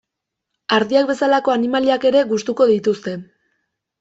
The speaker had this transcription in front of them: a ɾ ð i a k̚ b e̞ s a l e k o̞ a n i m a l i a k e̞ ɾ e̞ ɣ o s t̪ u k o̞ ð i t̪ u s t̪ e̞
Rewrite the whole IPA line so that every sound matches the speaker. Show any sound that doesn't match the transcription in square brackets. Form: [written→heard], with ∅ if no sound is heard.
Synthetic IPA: a ɾ ð i a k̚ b e̞ s a l [e→a] k o̞ a n i m a l i a k e̞ ɾ e̞ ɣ [o→u] s t̪ u k o̞ ð i t̪ u s t̪ e̞